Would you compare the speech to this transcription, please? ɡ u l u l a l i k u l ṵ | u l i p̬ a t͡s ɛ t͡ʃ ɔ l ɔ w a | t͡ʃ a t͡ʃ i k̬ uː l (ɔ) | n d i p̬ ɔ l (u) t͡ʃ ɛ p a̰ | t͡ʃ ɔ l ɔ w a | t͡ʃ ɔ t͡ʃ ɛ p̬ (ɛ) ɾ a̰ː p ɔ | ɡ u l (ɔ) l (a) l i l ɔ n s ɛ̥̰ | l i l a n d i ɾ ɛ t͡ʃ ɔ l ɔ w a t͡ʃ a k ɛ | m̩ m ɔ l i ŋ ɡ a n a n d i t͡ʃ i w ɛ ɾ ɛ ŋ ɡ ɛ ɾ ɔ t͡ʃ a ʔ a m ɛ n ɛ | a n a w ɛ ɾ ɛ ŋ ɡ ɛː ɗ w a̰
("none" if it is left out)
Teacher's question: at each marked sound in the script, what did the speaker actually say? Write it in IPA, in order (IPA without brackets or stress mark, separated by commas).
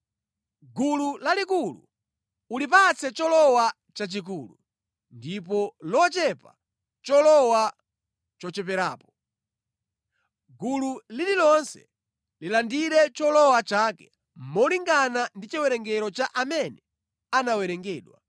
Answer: u, ɔ, ɛ, u, i